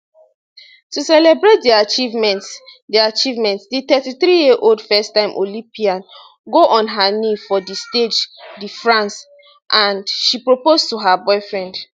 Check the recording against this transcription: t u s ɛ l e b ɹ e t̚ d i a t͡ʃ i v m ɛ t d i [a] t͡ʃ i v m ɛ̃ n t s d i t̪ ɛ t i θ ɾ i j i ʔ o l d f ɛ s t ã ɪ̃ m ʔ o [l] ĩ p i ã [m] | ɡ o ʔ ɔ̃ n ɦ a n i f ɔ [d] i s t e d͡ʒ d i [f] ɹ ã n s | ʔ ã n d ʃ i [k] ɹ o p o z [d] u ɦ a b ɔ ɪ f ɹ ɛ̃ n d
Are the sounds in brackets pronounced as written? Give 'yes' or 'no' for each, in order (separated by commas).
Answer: yes, yes, no, yes, yes, no, no